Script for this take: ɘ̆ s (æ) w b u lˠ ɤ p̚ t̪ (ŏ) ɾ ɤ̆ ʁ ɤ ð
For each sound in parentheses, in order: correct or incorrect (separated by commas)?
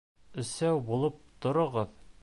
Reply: correct, correct